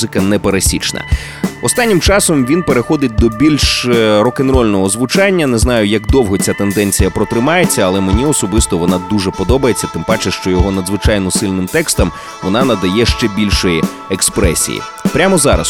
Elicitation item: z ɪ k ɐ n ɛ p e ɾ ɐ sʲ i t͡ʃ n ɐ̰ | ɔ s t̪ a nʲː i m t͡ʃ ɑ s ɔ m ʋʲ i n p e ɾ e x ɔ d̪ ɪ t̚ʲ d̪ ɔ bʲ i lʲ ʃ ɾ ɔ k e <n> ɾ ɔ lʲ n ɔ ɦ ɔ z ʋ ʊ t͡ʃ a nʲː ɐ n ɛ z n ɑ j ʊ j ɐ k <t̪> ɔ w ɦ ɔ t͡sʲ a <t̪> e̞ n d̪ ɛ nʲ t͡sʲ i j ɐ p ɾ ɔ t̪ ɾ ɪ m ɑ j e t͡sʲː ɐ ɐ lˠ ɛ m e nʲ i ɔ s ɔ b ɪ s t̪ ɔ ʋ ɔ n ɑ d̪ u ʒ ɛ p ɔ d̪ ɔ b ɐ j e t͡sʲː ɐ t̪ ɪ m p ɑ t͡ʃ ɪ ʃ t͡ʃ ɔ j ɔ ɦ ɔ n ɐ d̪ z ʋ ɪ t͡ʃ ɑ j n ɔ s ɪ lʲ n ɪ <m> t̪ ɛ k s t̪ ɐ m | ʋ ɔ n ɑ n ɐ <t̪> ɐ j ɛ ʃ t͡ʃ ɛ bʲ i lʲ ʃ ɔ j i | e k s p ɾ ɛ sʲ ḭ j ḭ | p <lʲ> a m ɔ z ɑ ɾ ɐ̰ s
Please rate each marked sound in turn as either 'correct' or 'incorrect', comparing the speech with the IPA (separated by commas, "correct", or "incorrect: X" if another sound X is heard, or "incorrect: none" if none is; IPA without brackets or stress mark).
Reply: correct, incorrect: d̪, correct, correct, incorrect: d̪, incorrect: ɾʲ